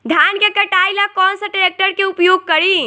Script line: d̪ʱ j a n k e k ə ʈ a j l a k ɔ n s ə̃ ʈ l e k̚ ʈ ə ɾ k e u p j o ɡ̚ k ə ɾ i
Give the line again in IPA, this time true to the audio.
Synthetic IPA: d̪ʱ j a n k e k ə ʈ a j l a k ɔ n s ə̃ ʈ ɾ e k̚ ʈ ə ɾ k e u p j o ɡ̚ k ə ɾ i